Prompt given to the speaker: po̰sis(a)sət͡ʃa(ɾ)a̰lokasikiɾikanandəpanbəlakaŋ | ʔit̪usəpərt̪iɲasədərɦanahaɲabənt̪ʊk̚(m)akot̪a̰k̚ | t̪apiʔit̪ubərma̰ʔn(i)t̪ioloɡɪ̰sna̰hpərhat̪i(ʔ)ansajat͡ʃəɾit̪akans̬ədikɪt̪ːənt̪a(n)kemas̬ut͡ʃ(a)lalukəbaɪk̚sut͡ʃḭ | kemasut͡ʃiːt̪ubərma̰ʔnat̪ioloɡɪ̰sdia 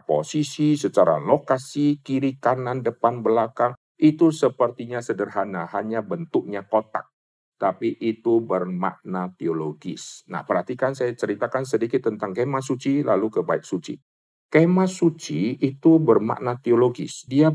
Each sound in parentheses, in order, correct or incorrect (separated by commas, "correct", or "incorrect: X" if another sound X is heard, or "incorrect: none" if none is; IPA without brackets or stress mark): incorrect: i, correct, incorrect: ɲ, incorrect: a, incorrect: k, incorrect: ŋ, incorrect: i